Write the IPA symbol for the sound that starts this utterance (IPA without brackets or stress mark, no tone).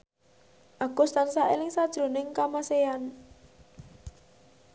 ʔ